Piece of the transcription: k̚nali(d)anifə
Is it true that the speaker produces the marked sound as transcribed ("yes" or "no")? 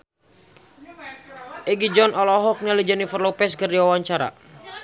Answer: no